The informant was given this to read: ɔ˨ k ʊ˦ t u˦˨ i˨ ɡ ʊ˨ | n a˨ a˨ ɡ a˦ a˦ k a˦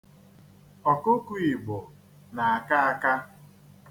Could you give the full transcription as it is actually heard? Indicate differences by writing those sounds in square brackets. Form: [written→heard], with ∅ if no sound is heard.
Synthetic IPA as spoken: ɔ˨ k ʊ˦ [t→k] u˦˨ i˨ [ɡ→ɡ͡b] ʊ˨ | n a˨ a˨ [ɡ→k] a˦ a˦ k a˦